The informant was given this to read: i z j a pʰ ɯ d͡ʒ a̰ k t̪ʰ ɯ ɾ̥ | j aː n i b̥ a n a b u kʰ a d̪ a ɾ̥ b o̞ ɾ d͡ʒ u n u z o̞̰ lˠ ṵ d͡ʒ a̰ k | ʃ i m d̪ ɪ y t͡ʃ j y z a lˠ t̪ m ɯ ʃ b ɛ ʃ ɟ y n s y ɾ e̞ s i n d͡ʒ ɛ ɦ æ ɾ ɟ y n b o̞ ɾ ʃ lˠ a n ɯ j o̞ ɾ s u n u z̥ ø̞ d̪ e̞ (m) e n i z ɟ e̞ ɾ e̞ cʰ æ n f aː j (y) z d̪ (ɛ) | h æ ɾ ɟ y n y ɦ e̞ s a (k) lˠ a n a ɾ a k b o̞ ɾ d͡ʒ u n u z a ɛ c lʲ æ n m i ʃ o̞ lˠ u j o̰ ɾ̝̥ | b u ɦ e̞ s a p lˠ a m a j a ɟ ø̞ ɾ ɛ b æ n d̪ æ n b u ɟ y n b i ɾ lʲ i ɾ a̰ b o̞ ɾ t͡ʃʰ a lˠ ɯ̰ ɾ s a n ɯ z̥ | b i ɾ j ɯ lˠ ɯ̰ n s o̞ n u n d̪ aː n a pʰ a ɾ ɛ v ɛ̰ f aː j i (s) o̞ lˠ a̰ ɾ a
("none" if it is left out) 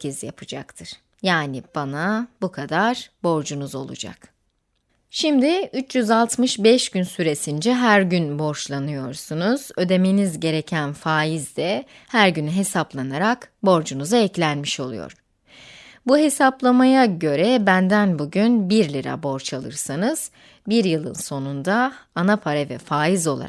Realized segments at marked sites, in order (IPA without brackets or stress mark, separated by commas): m, i, ɛ, p, z